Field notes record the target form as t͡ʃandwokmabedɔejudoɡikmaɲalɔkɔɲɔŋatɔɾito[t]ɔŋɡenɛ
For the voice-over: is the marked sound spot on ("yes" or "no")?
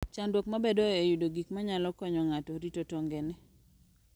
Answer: yes